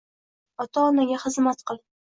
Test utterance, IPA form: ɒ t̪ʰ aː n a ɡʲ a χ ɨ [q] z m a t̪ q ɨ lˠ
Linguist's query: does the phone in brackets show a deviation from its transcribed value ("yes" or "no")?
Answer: yes